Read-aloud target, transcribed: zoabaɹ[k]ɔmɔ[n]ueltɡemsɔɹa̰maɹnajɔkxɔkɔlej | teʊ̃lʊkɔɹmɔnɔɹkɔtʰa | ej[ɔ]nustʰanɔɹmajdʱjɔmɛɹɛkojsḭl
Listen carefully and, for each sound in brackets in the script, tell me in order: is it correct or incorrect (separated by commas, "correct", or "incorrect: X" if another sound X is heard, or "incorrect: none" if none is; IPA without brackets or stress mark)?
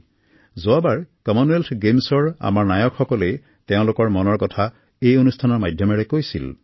correct, correct, incorrect: o